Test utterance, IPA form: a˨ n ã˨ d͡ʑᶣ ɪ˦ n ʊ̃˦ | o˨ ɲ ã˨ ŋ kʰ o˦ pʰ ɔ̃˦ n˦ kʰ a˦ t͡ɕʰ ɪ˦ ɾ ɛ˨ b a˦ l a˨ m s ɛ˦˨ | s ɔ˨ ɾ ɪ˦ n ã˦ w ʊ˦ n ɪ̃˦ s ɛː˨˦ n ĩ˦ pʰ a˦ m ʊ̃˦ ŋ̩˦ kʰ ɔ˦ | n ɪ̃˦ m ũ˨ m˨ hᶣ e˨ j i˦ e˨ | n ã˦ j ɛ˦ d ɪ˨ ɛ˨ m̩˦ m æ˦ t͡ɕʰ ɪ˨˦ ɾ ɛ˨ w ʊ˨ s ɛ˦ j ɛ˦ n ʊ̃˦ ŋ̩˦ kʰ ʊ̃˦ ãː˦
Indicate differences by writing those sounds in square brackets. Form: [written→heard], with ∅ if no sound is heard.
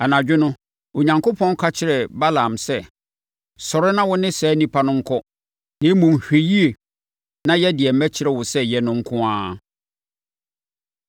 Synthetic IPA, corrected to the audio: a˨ n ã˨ d͡ʑᶣ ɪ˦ n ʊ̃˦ | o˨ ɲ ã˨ ŋ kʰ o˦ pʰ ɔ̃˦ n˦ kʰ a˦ t͡ɕʰ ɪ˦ ɾ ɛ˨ b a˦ l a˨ m s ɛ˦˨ | s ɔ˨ ɾ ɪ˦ n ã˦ w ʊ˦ n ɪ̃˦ s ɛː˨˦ n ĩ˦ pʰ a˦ [m→n] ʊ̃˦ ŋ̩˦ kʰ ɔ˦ | n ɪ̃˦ m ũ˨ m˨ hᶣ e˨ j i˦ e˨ | n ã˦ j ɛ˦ d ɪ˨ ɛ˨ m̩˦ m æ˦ t͡ɕʰ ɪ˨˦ ɾ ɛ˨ w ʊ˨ s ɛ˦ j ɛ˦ n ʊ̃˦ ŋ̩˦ kʰ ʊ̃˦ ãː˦